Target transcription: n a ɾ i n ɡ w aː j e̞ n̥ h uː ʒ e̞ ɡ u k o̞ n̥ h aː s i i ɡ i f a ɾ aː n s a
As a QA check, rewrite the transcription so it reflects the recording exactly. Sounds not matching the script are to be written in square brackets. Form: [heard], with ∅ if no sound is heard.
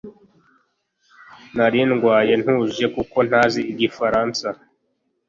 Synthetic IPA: n a ɾ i n ɡ w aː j e̞ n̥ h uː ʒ e̞ [k] u k o̞ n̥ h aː [z] i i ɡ i f a ɾ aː n s a